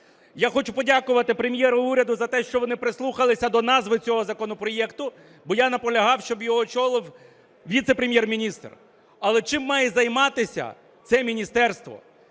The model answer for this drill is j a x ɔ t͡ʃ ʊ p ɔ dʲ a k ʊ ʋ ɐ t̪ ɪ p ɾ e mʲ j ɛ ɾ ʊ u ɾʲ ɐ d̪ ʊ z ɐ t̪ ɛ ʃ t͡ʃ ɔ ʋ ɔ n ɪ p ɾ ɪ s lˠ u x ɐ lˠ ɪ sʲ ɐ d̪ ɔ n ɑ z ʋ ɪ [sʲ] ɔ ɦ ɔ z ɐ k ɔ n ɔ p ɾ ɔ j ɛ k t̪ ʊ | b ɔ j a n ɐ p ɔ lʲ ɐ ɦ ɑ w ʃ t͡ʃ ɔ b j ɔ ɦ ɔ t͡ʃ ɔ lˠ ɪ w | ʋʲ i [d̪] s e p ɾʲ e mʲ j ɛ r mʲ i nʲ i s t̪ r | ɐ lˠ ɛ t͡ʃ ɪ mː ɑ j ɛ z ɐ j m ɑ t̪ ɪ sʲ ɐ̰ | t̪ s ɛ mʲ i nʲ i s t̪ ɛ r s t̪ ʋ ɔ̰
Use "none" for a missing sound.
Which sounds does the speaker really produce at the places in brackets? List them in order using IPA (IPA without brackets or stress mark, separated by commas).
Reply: t͡sʲ, t̪